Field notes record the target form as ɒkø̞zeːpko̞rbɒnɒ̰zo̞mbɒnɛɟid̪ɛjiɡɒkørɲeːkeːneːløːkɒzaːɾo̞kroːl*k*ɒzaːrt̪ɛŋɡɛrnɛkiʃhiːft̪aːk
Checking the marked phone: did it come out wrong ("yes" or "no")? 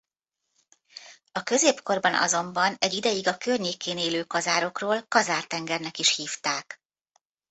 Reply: no